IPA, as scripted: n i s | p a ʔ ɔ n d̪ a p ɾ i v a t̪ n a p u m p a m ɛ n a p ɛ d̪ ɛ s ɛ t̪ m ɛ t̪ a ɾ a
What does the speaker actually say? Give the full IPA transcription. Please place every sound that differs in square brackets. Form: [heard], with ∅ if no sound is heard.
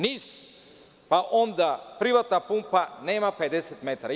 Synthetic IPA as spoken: n i s | p a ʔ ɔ n d̪ a p ɾ i v a t̪ n a p u m p a [n] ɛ [m] a p ɛ d̪ ɛ s ɛ t̪ m ɛ t̪ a ɾ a